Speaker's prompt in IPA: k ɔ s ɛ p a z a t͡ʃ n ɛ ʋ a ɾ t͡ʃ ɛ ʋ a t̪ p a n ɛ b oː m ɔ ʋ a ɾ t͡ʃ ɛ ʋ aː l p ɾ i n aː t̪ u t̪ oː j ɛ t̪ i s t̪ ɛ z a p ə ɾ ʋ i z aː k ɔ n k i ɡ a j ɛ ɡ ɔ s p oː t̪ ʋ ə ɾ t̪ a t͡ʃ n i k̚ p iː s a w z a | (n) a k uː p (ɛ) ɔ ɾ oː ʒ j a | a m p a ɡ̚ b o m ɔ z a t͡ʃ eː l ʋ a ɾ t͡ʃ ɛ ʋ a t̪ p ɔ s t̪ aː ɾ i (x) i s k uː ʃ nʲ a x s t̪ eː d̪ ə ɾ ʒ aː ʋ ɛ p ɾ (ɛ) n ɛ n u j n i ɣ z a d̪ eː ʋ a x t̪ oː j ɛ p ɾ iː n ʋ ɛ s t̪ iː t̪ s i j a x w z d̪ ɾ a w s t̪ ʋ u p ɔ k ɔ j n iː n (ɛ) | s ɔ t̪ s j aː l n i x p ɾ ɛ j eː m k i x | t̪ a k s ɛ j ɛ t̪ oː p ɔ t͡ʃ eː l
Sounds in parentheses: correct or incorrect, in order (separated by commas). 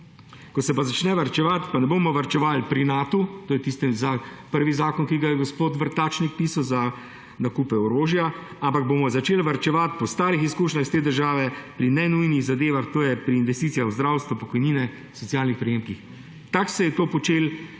correct, correct, correct, incorrect, correct